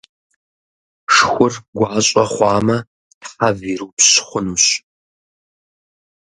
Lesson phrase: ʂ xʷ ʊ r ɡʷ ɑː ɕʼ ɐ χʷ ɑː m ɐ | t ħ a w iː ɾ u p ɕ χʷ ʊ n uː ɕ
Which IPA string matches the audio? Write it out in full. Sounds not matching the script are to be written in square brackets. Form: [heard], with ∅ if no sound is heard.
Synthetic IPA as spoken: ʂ xʷ ʊ r ɡʷ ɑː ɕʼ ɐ χʷ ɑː m ɐ | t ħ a [v] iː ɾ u p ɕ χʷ ʊ n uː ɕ